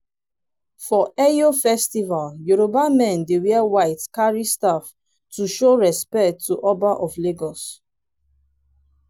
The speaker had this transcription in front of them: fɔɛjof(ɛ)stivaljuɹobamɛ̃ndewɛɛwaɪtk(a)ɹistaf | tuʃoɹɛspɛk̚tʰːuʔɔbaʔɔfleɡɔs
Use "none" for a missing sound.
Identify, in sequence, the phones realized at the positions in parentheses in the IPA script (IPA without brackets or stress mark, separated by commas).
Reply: ɛ, a